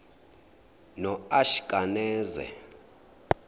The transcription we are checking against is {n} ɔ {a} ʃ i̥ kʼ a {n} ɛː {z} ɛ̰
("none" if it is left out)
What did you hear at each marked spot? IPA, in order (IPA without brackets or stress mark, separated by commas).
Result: n, a, n, z